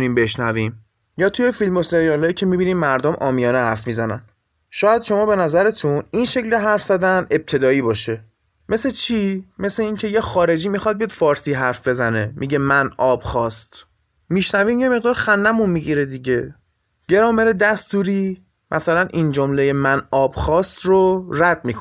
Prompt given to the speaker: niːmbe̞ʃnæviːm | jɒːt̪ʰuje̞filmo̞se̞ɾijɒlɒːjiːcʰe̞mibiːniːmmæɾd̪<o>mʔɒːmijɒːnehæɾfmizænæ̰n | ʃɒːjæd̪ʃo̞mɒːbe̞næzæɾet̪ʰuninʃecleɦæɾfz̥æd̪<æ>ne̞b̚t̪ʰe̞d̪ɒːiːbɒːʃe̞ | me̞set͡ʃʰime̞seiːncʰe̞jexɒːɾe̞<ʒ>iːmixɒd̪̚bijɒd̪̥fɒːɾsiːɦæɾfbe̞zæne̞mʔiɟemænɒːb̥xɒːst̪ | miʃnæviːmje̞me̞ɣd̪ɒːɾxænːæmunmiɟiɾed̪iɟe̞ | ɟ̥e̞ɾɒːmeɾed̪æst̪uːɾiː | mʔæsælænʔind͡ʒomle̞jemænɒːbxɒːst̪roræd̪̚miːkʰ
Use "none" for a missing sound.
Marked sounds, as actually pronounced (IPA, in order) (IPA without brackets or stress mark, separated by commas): o, æ, d͡ʒ